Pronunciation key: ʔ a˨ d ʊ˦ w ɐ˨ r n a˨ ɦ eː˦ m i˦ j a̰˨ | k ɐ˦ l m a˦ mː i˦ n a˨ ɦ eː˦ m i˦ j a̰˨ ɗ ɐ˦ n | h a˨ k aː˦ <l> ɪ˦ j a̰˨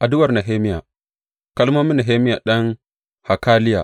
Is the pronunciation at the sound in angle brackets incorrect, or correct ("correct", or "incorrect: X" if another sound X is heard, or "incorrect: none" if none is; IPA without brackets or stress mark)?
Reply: correct